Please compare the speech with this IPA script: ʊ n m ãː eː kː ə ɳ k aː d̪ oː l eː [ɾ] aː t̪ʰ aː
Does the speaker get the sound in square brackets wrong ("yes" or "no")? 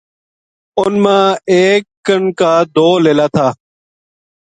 yes